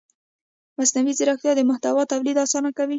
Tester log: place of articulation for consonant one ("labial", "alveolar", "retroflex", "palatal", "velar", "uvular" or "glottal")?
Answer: labial